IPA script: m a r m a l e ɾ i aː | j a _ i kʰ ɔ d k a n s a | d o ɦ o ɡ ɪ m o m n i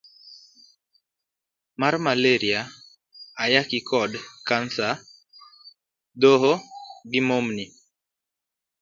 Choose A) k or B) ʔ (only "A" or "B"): A